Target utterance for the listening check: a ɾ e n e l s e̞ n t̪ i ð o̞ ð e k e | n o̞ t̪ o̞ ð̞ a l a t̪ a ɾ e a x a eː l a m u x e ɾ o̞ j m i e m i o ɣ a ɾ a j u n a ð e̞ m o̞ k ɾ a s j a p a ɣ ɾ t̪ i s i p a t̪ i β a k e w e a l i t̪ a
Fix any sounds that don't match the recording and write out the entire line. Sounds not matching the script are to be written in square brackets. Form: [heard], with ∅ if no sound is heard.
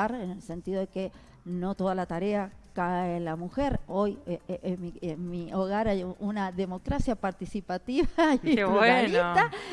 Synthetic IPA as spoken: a ɾ e n e l s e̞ n t̪ i ð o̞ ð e k e | n o̞ t̪ o̞ ð̞ a l a t̪ a ɾ e a [k] a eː l a m u x e ɾ o̞ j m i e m i o ɣ a ɾ a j u n a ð e̞ m o̞ k ɾ a s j a p a [∅] ɾ t̪ i s i p a t̪ i β a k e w e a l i t̪ a